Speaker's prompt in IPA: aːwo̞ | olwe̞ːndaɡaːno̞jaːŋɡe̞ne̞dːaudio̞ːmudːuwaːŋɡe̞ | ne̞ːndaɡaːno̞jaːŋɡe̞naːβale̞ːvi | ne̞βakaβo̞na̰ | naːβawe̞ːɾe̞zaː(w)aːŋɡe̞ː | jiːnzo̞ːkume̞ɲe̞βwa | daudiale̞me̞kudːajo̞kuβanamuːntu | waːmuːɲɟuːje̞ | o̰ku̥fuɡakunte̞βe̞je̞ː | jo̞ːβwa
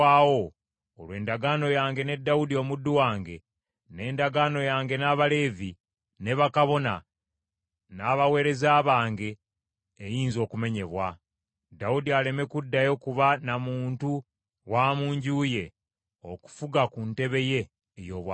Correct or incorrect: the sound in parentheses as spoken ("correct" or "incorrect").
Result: incorrect